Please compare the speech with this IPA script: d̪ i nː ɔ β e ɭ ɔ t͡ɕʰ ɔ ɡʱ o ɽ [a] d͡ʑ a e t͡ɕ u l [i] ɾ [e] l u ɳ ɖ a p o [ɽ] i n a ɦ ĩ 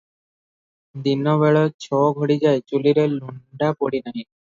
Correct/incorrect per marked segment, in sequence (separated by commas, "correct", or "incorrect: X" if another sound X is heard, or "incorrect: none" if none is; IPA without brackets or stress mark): incorrect: i, correct, correct, correct